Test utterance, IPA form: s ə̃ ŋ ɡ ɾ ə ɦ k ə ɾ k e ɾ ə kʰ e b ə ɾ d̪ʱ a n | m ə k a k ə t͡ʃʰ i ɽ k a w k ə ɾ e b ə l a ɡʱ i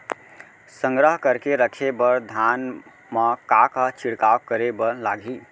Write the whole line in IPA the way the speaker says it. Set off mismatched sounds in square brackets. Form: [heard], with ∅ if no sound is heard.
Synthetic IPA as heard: s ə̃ ŋ ɡ ɾ ə ɦ k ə ɾ k e ɾ ə kʰ e b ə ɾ d̪ʱ a n | m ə k a k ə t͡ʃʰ i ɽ k a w k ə ɾ e b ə l a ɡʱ i

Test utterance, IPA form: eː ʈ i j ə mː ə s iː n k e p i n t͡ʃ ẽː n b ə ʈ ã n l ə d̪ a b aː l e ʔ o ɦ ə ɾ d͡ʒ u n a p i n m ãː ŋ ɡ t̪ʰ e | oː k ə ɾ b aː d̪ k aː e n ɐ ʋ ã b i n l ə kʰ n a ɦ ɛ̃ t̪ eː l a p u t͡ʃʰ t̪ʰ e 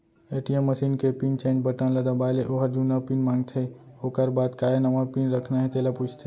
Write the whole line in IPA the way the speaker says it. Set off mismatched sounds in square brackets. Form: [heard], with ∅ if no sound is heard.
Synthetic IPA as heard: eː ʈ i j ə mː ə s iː n k e p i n t͡ʃ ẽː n b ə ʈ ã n l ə d̪ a b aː l e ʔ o ɦ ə ɾ d͡ʒ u n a p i n m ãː ŋ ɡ t̪ʰ e | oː k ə ɾ b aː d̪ k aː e n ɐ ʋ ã [p] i n [ɾ] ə kʰ n a ɦ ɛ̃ t̪ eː l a p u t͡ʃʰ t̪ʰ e

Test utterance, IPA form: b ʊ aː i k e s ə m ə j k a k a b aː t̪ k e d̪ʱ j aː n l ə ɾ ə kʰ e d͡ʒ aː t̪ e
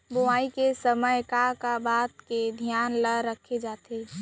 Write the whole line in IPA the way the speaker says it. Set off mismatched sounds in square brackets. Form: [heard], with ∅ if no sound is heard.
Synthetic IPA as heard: b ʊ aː i k e s ə m ə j k a k a b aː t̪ k e d̪ʱ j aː n l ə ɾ ə kʰ e d͡ʒ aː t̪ e

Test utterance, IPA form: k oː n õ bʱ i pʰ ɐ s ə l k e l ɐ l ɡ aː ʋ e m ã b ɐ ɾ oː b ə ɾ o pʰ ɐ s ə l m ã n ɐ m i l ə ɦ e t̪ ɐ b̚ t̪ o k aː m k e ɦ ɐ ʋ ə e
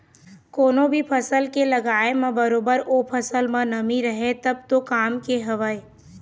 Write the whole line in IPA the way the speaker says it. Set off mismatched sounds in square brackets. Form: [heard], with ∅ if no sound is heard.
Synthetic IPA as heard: k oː n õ bʱ i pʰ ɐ s ə l k e l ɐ [∅] ɡ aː [∅] e m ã b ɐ ɾ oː b ə ɾ o pʰ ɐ s ə l m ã n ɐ m i [ɾ] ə ɦ e t̪ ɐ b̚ t̪ o k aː m k e ɦ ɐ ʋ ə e

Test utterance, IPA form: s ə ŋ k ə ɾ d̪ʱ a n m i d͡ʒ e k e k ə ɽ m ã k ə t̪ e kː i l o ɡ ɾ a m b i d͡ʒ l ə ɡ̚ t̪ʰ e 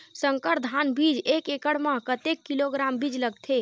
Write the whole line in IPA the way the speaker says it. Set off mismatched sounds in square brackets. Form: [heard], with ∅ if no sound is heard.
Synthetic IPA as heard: s ə ŋ k ə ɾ d̪ʱ a n [b] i d͡ʒ e k e k ə ɽ m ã k ə t̪ e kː i l o ɡ ɾ a m b i d͡ʒ l ə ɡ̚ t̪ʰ e

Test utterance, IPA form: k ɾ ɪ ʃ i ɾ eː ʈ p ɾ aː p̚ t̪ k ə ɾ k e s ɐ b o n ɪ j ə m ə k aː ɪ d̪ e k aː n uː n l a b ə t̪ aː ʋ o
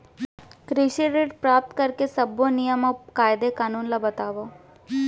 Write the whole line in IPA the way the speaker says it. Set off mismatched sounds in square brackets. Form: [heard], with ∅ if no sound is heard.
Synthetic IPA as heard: k ɾ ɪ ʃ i ɾ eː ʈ p ɾ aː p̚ t̪ k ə ɾ k e s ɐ b o n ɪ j ə m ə k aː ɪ d̪ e k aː n uː n l a b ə t̪ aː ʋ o

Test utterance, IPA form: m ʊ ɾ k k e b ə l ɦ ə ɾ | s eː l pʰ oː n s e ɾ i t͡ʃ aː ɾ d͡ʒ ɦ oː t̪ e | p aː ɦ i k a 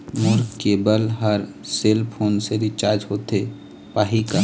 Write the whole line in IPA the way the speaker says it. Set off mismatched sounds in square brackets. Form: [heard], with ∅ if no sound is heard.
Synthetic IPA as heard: m ʊ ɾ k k e b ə l ɦ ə ɾ | s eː l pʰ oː n s e ɾ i t͡ʃ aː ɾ d͡ʒ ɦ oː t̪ e | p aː ɦ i k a

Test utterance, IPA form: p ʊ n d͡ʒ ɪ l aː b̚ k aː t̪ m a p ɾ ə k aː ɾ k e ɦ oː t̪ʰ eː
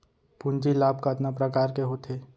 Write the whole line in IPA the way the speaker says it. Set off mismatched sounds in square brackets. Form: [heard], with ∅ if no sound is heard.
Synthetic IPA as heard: p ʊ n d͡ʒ [i] l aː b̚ k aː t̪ [n] a p ɾ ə k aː ɾ k e ɦ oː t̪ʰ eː

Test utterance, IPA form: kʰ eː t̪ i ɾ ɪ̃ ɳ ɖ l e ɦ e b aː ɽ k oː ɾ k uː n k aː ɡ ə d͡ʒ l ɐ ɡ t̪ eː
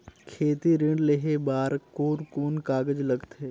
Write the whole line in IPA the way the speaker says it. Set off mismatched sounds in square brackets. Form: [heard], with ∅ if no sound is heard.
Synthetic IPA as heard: kʰ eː t̪ i ɾ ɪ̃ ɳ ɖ l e ɦ e b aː [ɾ] k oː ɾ k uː n k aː ɡ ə d͡ʒ l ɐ ɡ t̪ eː

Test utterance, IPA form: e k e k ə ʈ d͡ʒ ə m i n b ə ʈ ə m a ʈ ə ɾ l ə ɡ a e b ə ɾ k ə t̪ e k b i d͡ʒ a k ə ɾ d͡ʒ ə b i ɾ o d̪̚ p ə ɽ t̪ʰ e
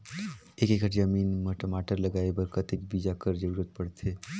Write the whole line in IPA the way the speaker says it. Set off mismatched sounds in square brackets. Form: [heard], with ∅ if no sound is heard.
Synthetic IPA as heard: e k e k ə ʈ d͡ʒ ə m i n [m] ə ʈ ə m a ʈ ə ɾ l ə ɡ a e b ə ɾ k ə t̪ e k b i d͡ʒ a k ə ɾ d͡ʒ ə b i ɾ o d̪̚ p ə ɽ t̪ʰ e

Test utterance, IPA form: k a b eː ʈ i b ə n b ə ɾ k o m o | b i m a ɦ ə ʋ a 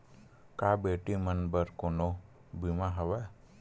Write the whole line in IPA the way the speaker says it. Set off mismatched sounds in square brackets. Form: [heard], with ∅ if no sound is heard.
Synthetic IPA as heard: k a b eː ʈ i [m] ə n b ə ɾ k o [n] o | b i m a ɦ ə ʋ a

